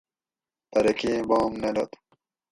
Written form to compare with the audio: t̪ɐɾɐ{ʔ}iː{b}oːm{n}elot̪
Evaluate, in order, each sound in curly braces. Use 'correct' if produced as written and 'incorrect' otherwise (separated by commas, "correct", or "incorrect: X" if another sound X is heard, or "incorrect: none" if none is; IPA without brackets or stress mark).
incorrect: k, correct, correct